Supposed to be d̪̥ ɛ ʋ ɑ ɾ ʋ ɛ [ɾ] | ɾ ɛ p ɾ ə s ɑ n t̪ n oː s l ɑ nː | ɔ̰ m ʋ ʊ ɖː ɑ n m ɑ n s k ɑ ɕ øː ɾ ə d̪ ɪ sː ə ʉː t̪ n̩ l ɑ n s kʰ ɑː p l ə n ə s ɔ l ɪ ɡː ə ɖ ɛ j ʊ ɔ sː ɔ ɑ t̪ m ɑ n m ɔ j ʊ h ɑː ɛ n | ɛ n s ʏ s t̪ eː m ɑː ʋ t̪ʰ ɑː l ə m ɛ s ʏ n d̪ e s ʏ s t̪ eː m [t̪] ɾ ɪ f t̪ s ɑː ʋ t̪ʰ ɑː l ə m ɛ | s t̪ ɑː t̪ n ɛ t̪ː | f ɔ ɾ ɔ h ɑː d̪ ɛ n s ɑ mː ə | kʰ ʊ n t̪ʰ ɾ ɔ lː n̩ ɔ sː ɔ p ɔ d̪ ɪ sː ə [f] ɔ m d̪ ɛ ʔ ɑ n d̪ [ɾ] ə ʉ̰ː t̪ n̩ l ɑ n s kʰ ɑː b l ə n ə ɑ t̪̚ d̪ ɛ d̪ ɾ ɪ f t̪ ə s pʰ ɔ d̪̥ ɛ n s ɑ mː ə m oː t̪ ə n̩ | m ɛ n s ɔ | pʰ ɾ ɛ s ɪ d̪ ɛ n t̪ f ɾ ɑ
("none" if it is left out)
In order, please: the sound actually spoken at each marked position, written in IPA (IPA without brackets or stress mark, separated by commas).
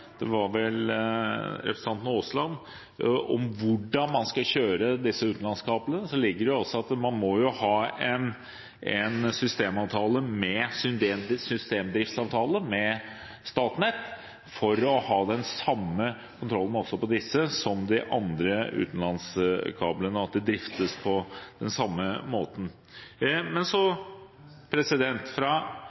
l, d̪, s, ɾ